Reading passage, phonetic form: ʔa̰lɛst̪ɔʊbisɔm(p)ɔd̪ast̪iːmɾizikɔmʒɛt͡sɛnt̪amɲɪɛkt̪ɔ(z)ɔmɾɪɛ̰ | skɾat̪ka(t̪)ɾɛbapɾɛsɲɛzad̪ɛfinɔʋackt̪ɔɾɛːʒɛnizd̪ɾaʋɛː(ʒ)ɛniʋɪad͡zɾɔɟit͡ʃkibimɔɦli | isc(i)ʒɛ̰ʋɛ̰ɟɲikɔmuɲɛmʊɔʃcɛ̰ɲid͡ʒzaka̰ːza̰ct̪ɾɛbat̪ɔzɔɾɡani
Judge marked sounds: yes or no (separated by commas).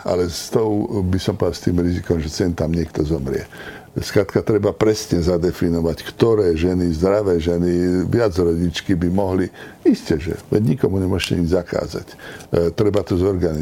yes, yes, yes, yes, no